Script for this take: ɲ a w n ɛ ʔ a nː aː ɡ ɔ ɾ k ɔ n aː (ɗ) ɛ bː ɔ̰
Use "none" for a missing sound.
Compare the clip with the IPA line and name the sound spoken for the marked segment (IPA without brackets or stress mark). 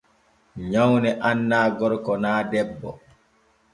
d